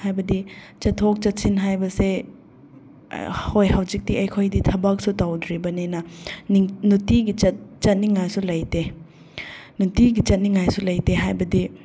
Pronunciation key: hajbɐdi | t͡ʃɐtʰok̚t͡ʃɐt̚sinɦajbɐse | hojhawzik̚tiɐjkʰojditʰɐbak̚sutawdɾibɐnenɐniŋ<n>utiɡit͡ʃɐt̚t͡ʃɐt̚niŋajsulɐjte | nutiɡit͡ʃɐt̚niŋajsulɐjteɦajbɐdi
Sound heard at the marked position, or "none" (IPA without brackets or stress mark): n